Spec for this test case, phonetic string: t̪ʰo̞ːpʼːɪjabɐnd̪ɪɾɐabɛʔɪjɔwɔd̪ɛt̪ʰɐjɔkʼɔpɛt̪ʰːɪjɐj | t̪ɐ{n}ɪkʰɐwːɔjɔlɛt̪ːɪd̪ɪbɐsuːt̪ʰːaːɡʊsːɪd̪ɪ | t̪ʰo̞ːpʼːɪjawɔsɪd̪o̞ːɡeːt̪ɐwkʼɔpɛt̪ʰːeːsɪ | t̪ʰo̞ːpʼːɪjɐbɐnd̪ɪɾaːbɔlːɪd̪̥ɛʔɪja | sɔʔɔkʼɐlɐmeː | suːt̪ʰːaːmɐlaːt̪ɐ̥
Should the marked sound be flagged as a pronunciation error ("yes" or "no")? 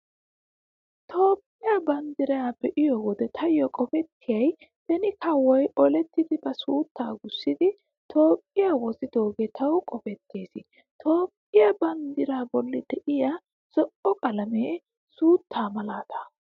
no